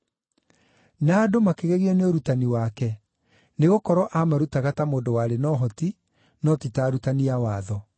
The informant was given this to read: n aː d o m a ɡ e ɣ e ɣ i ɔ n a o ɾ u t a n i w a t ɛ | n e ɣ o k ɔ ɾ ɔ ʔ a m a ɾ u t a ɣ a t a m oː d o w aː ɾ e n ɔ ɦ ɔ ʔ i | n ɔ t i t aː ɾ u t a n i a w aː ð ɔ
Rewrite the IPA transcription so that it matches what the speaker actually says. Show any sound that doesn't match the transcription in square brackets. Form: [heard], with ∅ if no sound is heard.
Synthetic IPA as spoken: n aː d o m a [k] e ɣ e ɣ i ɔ n [e] o ɾ u t a n i w a [k] ɛ | n e ɣ o k ɔ ɾ ɔ ʔ a m a ɾ u t a ɣ a t a m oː d o w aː ɾ e n ɔ ɦ ɔ [t] i | n ɔ t i t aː ɾ u t a n i a w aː ð ɔ